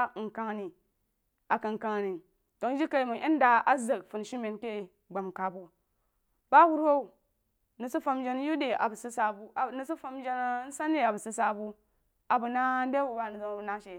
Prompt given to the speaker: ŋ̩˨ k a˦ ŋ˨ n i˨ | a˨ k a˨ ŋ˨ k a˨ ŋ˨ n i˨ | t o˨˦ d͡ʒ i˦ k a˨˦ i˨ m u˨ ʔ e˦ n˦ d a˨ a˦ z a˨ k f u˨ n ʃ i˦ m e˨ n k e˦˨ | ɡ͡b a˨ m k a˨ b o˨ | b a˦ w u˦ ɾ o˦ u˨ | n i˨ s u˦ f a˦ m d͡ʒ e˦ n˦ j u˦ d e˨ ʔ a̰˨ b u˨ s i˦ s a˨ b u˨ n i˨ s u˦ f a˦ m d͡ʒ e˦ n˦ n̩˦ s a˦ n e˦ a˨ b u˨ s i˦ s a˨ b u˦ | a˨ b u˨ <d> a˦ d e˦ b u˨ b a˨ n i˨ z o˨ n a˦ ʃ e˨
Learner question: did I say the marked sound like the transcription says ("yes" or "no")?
no